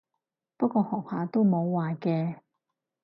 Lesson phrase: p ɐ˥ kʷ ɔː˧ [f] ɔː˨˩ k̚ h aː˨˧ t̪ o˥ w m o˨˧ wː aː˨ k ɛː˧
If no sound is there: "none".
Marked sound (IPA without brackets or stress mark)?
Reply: h